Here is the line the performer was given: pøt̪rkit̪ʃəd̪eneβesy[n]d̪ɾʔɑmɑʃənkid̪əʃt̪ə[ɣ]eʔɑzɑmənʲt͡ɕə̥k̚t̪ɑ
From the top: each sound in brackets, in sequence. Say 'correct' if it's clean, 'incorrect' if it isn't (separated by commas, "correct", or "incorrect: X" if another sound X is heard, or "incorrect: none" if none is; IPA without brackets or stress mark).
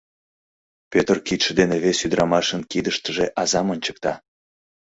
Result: incorrect: none, incorrect: ʒ